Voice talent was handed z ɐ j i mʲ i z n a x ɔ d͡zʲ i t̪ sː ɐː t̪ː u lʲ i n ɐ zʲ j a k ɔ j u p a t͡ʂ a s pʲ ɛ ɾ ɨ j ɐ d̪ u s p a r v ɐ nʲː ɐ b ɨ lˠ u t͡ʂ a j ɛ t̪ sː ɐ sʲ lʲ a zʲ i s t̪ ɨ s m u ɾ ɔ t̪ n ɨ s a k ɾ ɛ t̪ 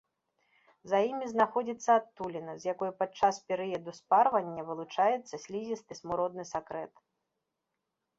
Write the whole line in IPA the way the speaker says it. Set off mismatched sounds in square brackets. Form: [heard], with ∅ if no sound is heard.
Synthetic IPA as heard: z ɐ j i mʲ i z n a x ɔ d͡zʲ i t̪ sː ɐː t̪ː u lʲ i n ɐ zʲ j a k ɔ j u p a t͡ʂ a s pʲ ɛ ɾ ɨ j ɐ d̪ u s p a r v ɐ nʲː ɐ [v] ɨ lˠ u t͡ʂ a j ɛ t̪ sː ɐ sʲ lʲ [i] zʲ i s t̪ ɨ s m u ɾ ɔ [d̪] n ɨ s a k ɾ ɛ t̪